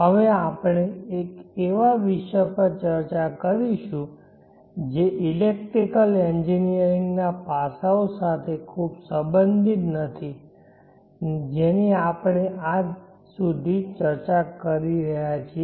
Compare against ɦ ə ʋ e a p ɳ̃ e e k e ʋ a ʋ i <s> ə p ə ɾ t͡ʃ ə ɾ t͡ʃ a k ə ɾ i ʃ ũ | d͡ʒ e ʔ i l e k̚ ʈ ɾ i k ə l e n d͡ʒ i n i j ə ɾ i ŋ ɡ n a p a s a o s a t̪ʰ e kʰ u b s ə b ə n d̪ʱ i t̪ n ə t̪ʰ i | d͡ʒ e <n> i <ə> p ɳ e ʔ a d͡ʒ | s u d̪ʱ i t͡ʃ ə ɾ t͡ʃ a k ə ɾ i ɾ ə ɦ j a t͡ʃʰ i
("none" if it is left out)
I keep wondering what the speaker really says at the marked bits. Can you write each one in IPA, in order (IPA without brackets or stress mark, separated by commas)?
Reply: ʃ, n, a